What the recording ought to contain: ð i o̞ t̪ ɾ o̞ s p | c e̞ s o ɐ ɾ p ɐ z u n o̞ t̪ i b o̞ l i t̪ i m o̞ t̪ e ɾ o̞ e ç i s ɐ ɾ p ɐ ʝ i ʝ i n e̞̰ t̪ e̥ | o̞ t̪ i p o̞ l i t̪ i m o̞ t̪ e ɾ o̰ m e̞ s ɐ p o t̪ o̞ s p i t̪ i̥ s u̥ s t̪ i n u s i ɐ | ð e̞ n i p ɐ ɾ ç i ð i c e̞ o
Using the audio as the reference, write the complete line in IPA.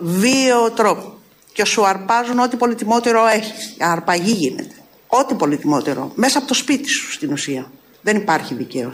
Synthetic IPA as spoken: v i o̞ t̪ ɾ o̞ p | c e̞ s u ɐ ɾ p ɐ z u n o̞ t̪ i p o̞ l i t̪ i m o̞ t̪ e ɾ o̞ e ç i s ɐ ɾ p ɐ ʝ i ʝ i n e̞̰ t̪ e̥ | o̞ t̪ i p o̞ l i t̪ i m o̞ t̪ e ɾ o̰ m e̞ s ɐ p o t̪ o̞ s p i t̪ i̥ s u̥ s t̪ i n u s i ɐ | ð e̞ n i p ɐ ɾ ç i ð i c e̞ o